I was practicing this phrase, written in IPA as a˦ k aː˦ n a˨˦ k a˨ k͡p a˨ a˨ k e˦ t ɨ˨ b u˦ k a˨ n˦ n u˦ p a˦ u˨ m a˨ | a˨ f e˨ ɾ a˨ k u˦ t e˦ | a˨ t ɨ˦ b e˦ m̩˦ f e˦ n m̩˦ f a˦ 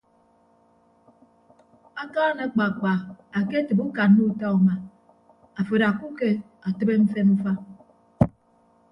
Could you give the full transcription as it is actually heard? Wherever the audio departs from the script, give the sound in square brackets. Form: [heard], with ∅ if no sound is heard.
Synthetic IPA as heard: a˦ k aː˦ n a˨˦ [k͡p] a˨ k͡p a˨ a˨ k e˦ t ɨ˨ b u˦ k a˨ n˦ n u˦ [t] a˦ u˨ m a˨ | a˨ f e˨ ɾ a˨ k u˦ [k] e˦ | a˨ t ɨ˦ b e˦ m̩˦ f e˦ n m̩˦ f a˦